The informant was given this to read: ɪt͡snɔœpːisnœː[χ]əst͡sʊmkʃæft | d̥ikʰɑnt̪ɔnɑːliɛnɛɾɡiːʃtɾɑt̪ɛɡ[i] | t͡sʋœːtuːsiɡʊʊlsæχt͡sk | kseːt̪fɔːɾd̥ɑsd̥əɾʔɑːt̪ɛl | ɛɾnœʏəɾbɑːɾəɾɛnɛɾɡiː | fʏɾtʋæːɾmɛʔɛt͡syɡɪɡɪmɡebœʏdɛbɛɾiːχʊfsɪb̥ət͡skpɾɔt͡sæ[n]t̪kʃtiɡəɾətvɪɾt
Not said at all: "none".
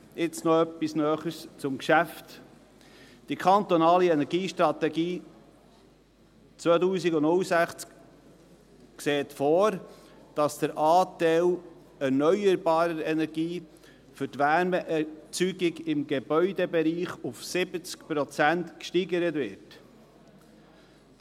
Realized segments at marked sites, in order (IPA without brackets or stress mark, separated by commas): χ, iː, n